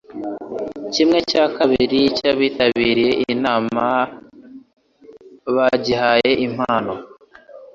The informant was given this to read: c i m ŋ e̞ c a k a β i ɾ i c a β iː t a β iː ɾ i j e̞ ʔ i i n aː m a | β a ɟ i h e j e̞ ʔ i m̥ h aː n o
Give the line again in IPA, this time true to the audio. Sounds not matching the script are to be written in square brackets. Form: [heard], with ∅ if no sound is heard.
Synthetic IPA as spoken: c i m ŋ e̞ c a k a β i ɾ i c a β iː t a β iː ɾ i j e̞ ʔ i i n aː m a | β a ɟ i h [a] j e̞ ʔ i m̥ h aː n o